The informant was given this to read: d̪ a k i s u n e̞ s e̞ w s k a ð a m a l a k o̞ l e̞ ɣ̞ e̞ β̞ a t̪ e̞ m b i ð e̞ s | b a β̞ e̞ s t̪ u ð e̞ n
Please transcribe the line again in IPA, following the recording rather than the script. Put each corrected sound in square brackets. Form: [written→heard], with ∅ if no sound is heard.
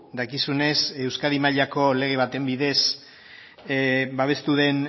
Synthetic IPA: d̪ a k i s u n e̞ s e̞ w s k a ð [a→i] m a [l→ʎ] a k o̞ l e̞ ɣ̞ e̞ β̞ a t̪ e̞ m b i ð e̞ s | b a β̞ e̞ s t̪ u ð e̞ n